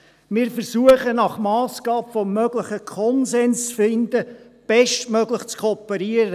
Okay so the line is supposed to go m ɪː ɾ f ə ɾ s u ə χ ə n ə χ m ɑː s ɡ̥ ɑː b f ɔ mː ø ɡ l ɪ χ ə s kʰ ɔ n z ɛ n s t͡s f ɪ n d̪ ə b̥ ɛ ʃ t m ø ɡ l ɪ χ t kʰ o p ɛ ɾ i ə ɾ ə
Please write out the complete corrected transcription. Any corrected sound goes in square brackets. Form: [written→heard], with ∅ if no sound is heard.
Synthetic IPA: m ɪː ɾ f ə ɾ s u ə χ ə n [ə→ɑ] χ m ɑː s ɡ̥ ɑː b f ɔ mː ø ɡ l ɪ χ ə [s→∅] kʰ ɔ n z ɛ n s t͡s f ɪ n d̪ ə b̥ ɛ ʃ t m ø ɡ l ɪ χ [t→t͡s] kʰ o p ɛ ɾ i ə ɾ ə